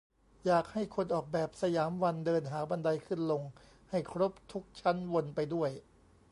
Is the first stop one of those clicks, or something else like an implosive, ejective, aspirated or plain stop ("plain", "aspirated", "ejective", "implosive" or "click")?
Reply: plain